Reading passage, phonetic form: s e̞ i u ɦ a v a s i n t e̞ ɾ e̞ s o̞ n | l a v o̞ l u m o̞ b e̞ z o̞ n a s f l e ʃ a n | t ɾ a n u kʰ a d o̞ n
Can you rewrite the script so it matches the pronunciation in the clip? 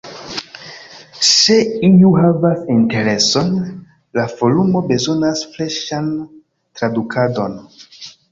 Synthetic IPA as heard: s e̞ i u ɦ a v a s i n t e̞ ɾ e̞ s o̞ n | l a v o̞ l u m o̞ b e̞ z o̞ n a s f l e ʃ a n | t ɾ a d u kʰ a d o̞ n